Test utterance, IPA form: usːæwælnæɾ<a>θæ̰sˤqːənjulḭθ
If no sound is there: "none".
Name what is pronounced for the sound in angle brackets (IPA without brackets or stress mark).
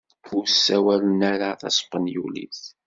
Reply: a